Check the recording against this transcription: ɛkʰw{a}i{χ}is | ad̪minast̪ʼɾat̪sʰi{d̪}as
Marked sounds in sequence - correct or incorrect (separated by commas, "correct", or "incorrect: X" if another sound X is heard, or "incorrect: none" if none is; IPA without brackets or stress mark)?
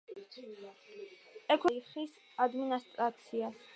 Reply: incorrect: ɛ, correct, incorrect: none